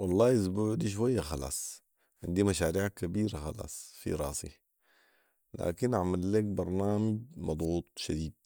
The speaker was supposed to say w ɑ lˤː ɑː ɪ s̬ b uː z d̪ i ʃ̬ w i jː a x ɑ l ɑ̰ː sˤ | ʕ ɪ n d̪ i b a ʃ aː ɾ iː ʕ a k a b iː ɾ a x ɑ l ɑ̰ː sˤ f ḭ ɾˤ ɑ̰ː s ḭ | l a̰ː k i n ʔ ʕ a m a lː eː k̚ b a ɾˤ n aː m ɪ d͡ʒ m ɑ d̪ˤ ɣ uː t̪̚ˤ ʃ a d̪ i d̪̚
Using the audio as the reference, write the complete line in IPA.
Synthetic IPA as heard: w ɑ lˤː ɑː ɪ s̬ b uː ʕ d̪ i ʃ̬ w a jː a x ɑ l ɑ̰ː sˤ | ʕ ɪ n d̪ i m a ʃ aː ɾ iː ʕ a k a b iː ɾ a x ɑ l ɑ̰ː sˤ f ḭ ɾˤ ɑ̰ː s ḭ | l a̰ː k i n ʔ ʕ a m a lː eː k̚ b ɑ ɾˤ n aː m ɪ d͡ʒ m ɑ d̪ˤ ɣ uː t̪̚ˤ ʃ a d̪ iː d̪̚